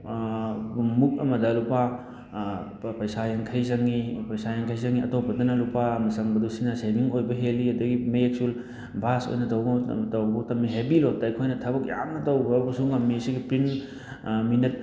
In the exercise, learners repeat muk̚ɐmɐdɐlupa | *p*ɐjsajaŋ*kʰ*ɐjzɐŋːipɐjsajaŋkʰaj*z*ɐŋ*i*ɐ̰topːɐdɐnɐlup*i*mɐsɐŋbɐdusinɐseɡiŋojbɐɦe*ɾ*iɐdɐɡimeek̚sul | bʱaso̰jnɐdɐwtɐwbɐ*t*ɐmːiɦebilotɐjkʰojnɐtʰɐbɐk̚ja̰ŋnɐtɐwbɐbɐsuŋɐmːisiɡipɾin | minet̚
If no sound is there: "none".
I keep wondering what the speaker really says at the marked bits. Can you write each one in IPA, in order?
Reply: p, kʰ, z, i, a, l, t

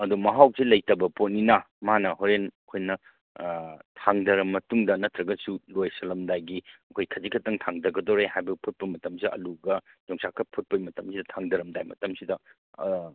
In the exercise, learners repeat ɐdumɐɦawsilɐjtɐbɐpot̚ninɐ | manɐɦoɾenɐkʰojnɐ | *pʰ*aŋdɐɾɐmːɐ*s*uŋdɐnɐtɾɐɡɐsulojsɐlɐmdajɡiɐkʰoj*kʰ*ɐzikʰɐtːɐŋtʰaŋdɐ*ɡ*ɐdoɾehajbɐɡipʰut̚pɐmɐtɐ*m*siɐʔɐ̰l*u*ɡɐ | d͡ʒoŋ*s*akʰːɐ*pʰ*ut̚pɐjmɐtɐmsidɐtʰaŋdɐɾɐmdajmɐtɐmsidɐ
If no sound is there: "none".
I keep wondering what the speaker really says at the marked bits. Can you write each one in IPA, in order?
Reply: tʰ, t, kʰ, ɡ, m, u, s, pʰ

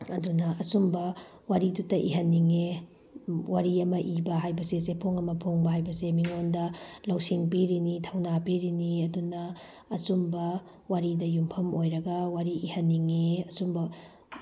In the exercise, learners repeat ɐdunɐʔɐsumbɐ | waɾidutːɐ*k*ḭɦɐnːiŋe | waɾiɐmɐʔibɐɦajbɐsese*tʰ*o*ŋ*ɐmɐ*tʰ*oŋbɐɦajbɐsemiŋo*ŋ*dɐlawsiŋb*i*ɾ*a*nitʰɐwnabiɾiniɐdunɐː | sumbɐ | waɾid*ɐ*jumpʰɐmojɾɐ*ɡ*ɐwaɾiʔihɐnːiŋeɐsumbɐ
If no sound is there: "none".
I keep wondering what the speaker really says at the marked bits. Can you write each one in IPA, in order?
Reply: ʔ, pʰ, ŋ, pʰ, n, i, i, ɐ, ɡ

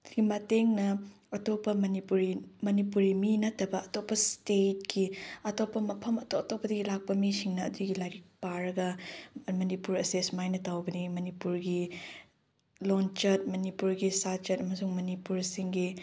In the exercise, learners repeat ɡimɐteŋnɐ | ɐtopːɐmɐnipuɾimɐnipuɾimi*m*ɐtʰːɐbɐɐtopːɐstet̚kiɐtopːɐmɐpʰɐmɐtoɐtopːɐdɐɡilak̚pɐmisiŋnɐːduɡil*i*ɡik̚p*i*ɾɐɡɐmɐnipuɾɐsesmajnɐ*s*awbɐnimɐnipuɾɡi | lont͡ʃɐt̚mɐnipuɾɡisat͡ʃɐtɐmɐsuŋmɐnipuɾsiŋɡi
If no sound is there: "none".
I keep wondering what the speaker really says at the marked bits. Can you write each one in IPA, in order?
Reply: n, a, a, t

